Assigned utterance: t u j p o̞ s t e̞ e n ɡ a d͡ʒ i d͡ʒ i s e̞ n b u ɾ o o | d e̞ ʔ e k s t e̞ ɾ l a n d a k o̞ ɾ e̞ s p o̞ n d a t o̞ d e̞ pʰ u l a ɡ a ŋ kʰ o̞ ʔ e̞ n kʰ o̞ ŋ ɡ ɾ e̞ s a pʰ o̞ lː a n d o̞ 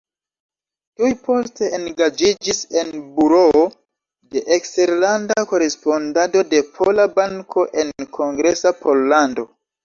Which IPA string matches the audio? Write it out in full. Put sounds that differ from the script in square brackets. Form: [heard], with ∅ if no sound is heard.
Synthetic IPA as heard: t u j p o̞ s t e̞ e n ɡ a d͡ʒ i d͡ʒ i s e̞ n b u ɾ o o | d e̞ ʔ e k s t e̞ ɾ l a n d a k o̞ ɾ e̞ s p o̞ n d a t o̞ d e̞ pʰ [o] l a [b] a ŋ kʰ o̞ ʔ e̞ n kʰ o̞ ŋ ɡ ɾ e̞ s a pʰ o̞ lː a n d o̞